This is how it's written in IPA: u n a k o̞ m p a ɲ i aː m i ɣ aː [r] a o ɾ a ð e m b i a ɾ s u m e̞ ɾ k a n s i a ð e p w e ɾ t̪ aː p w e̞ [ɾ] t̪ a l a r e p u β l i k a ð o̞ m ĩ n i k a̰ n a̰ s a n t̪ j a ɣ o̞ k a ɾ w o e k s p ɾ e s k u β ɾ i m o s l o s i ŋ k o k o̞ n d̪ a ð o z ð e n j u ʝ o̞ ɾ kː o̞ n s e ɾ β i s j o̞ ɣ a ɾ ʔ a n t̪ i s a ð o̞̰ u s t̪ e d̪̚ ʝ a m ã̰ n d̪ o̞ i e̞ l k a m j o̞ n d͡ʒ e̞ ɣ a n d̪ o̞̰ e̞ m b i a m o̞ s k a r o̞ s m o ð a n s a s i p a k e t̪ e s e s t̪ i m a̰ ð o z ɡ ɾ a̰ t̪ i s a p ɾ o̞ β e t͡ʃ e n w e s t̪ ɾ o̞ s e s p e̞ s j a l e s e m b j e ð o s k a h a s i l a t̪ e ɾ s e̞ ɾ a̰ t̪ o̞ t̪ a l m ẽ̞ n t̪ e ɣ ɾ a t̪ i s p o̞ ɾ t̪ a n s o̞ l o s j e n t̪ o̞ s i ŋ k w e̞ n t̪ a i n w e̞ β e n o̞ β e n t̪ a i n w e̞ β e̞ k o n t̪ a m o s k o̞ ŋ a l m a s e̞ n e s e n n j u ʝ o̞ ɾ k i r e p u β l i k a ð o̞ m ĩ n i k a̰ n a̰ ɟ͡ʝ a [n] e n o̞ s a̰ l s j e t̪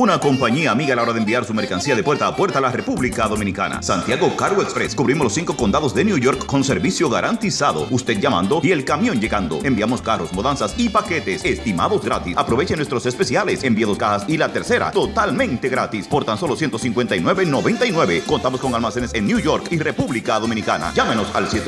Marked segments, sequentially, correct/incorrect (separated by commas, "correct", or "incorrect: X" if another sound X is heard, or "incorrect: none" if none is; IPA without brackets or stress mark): incorrect: l, correct, incorrect: m